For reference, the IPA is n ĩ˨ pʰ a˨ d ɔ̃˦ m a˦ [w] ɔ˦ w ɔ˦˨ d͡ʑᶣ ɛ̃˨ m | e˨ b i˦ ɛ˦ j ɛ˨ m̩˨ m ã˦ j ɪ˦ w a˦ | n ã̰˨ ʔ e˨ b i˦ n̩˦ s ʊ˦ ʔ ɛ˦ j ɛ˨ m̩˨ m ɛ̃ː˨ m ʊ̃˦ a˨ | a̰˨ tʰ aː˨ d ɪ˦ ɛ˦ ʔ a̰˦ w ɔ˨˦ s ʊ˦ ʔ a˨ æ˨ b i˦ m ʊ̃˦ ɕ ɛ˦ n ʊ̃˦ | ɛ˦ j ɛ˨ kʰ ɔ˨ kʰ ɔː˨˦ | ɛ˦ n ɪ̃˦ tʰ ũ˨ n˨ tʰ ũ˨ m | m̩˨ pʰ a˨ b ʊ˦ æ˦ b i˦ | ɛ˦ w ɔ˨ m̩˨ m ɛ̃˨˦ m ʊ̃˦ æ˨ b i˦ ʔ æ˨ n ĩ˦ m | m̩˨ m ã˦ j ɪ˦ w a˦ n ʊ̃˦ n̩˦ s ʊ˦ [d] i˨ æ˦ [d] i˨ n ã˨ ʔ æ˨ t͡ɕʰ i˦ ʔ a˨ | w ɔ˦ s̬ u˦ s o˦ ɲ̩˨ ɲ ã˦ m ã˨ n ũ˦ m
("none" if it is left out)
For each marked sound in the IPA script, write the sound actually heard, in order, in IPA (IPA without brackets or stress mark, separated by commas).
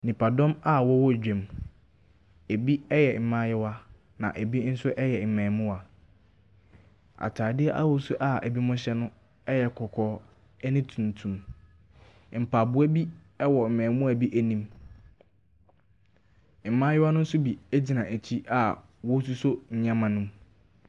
w, b, d͡ʑ